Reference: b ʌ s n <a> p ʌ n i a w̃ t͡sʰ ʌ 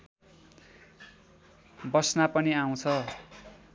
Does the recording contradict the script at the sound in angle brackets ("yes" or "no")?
no